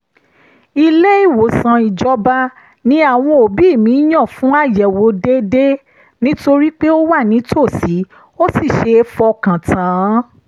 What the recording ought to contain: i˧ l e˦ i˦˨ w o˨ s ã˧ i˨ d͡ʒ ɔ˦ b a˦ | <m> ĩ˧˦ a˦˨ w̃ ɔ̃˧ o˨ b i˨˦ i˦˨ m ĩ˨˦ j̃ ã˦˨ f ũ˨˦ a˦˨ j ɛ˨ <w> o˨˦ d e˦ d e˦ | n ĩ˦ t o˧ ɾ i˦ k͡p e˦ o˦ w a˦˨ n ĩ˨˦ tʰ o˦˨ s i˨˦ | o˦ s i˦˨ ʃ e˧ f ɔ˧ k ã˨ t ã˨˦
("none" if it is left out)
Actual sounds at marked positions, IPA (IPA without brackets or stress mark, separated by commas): n, w